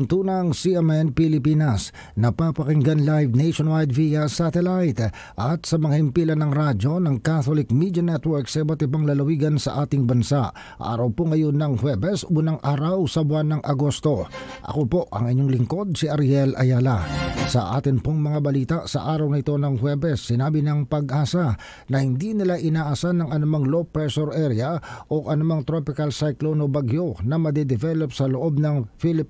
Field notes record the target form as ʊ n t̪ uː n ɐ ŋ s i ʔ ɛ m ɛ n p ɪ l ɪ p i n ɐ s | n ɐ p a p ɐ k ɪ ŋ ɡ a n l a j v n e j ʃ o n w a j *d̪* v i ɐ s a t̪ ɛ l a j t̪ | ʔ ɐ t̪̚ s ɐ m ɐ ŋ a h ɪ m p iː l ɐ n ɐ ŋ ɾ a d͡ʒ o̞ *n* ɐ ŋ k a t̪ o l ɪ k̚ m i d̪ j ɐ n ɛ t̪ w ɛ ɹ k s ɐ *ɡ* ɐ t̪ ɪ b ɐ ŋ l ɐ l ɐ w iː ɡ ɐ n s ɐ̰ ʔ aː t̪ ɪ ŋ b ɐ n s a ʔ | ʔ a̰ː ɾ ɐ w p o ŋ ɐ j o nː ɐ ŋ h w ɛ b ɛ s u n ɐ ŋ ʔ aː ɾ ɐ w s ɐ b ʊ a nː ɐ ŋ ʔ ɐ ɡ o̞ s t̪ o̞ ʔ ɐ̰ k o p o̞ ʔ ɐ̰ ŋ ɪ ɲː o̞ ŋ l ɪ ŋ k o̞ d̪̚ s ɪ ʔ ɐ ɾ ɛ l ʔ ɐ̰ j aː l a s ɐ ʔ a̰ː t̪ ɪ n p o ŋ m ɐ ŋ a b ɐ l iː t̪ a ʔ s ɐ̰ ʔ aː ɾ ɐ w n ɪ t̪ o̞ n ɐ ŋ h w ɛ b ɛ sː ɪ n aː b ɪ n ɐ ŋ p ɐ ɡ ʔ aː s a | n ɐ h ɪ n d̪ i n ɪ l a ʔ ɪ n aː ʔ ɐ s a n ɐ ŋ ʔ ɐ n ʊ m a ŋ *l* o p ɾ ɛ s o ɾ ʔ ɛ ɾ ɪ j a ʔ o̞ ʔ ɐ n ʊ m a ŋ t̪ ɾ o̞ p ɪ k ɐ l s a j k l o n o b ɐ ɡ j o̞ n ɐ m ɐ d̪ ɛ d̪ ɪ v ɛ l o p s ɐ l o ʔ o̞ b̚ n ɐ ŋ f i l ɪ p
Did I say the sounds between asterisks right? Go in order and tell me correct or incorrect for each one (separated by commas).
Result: correct, correct, incorrect, correct